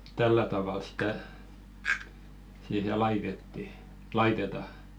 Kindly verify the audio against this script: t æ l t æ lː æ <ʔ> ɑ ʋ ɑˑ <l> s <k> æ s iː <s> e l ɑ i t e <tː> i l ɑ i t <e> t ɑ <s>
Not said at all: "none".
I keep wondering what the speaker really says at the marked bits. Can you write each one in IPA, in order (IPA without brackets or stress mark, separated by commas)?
t, l, t, h, tː, e, none